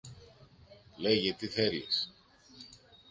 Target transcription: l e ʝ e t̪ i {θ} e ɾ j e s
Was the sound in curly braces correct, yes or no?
yes